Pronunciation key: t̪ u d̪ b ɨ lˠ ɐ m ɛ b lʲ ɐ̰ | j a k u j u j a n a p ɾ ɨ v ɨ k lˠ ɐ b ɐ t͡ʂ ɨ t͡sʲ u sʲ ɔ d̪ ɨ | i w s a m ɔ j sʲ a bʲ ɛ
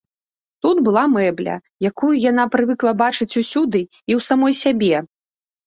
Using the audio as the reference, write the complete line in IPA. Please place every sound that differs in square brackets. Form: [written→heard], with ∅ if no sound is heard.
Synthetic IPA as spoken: t̪ u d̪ b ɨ lˠ [ɐ→a] m ɛ b lʲ ɐ̰ | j a k u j u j a n a p ɾ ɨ v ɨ k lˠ ɐ b [ɐ→a] t͡ʂ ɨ t͡sʲ u sʲ [ɔ→u] d̪ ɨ | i w s a m ɔ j sʲ a bʲ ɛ